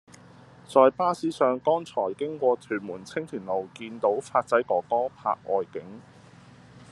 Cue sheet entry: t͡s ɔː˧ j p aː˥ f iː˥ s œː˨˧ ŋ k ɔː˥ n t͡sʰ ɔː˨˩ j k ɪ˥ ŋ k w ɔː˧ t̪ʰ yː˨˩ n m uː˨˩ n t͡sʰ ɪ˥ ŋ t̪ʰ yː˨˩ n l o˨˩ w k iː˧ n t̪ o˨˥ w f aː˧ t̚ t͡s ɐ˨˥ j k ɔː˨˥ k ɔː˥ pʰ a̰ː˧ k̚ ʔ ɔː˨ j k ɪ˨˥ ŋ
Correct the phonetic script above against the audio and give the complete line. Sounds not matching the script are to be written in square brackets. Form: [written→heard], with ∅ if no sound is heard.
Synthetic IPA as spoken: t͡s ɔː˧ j p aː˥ [f→s] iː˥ s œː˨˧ ŋ k ɔː˥ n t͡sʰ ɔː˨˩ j k ɪ˥ ŋ k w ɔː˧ t̪ʰ yː˨˩ n m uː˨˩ n t͡sʰ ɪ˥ ŋ t̪ʰ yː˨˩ n l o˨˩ w k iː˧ n t̪ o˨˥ w f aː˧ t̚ t͡s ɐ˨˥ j k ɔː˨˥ k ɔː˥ pʰ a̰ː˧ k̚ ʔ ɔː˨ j k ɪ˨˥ ŋ